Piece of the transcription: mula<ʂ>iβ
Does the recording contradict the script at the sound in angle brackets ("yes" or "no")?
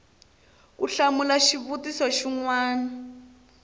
yes